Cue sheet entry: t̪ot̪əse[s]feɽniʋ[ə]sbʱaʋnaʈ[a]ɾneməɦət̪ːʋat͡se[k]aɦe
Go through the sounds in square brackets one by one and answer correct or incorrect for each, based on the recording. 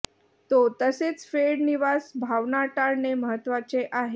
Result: incorrect: t͡s, incorrect: a, correct, incorrect: ʔ

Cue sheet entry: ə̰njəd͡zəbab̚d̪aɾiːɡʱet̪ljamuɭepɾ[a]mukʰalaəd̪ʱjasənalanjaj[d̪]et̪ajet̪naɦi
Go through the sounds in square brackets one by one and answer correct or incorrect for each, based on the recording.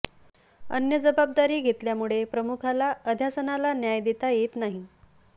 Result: incorrect: ə, correct

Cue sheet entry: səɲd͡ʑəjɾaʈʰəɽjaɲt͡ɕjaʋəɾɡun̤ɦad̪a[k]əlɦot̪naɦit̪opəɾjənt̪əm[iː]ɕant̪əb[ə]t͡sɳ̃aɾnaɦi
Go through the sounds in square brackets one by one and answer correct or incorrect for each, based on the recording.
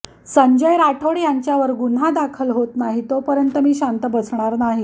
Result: incorrect: kʰ, correct, correct

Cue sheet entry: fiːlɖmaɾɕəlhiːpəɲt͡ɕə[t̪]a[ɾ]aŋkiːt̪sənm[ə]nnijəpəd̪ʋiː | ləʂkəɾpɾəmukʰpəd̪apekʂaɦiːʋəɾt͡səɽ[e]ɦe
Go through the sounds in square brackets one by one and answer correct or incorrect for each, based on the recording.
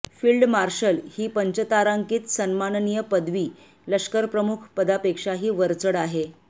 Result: correct, correct, incorrect: a, incorrect: a

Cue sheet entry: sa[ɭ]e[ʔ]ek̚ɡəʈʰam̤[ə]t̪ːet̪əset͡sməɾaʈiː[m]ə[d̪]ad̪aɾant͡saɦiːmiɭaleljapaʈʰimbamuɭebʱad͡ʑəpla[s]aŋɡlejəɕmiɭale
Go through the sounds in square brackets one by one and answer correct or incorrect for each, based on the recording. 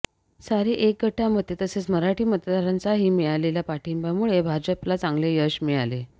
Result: incorrect: ɾ, correct, correct, correct, incorrect: t̪, incorrect: t͡s

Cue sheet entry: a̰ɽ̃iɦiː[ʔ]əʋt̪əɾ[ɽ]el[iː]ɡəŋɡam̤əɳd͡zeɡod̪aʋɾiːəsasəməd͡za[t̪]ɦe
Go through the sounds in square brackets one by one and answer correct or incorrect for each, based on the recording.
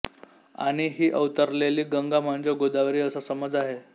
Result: correct, incorrect: l, correct, incorrect: none

